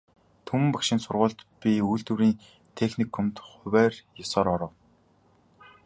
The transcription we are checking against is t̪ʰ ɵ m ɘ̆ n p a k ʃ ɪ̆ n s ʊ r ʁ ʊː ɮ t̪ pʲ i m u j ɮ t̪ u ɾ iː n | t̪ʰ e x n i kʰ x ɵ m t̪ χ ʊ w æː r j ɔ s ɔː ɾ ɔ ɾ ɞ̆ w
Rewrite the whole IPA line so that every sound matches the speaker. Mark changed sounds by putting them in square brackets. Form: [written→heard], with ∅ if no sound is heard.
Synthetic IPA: t̪ʰ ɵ m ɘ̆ [n→m] p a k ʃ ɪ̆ n s ʊ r ʁ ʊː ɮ t̪ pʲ i [m→∅] u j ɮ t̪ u ɾ iː n | t̪ʰ e x n i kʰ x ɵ m t̪ χ ʊ w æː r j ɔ s ɔː ɾ ɔ ɾ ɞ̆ w